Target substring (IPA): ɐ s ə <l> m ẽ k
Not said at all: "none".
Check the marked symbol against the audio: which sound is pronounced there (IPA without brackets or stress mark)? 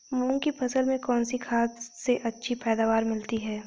l